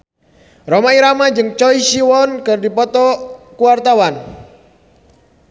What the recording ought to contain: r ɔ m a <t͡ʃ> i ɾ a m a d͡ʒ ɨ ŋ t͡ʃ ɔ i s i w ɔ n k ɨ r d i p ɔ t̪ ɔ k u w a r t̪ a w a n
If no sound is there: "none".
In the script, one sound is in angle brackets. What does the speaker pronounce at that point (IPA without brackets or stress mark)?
none